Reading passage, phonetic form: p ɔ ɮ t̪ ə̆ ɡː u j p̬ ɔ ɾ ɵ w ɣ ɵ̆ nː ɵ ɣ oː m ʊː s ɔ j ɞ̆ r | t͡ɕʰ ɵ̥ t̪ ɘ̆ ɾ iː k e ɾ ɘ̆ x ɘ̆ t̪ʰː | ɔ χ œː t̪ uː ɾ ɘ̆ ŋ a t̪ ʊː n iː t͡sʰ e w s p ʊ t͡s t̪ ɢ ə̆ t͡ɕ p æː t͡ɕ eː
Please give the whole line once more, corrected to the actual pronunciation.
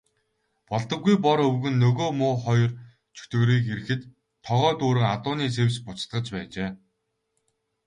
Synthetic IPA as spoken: p ɔ ɮ t̪ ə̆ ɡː u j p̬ ɔ ɾ ɵ w ɣ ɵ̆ nː ɵ ɣ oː m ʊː χ ɔ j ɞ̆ r | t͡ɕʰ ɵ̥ t̪ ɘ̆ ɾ iː k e ɾ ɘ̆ x ɘ̆ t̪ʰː | ɔ ʁ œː t̪ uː ɾ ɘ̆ ŋ a t̪ ʊː n iː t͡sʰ e w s p ʊ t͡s t̪ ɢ ə̆ t͡ɕ p æː t͡ɕ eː